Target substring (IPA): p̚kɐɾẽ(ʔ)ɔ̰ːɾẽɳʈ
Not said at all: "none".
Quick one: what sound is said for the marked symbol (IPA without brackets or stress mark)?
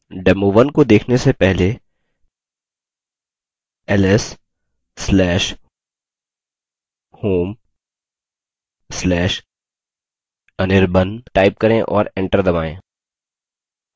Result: ʔ